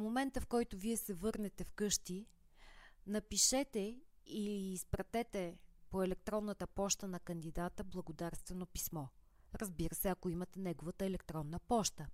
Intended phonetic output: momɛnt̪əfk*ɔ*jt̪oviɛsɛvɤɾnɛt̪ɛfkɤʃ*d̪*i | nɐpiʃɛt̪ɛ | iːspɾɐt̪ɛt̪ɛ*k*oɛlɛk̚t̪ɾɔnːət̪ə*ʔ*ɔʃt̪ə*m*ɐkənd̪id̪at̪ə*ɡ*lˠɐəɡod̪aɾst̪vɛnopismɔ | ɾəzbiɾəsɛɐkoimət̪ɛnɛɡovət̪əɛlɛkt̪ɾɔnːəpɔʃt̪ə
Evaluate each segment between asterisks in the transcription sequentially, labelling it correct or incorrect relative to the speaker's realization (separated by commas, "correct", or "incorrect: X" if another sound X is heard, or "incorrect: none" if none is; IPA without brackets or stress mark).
correct, incorrect: t̪, incorrect: p, incorrect: p, incorrect: n, incorrect: b